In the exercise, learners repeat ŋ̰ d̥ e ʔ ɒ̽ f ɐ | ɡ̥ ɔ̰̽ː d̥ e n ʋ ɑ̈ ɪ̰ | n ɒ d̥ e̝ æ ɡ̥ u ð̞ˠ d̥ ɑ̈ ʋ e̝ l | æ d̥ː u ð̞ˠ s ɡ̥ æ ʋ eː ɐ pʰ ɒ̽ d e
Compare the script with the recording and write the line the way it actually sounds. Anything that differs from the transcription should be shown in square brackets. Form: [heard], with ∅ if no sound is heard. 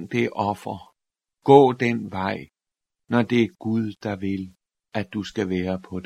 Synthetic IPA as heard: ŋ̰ d̥ e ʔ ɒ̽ f ɐ | ɡ̥ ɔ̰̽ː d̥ e n ʋ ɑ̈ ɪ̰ | n ɒ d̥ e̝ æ ɡ̥ u ð̞ˠ d̥ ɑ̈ ʋ e̝ l | æ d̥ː u [∅] s ɡ̥ æ ʋ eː ɐ pʰ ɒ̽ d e